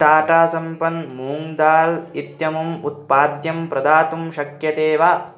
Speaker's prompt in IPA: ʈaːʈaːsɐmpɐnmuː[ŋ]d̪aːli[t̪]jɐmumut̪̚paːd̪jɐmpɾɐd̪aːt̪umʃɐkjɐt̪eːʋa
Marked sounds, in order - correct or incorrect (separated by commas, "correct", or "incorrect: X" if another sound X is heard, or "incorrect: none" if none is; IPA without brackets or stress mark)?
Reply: correct, correct